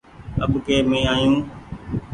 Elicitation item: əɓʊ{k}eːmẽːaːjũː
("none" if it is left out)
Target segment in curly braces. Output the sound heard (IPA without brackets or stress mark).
k